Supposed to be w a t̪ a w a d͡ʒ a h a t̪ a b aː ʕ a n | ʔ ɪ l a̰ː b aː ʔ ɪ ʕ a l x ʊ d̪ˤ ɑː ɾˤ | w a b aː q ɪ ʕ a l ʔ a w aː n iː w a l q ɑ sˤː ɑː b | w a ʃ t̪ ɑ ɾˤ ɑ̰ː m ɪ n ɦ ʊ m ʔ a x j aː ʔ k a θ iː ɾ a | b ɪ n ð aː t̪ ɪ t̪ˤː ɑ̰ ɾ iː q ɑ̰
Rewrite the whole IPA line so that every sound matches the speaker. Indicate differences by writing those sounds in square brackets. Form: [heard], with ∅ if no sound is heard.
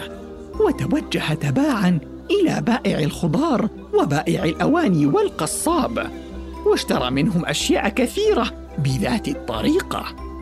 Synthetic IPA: w a t̪ a w a [d͡ʒː] a h a t̪ a b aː ʕ a n | ʔ ɪ l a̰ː b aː ʔ ɪ ʕ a l x ʊ d̪ˤ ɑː ɾˤ | w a b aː [ʔ] ɪ ʕ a l ʔ a w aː n iː w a l q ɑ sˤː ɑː b | w a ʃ t̪ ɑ ɾˤ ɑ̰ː m ɪ n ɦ ʊ m ʔ a [ʃ] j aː ʔ k a θ iː ɾ a | b ɪ [∅] ð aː t̪ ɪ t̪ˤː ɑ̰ ɾ iː q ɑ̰